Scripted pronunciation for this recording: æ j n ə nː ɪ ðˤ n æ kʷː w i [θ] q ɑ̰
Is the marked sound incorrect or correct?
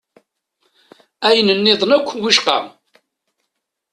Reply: incorrect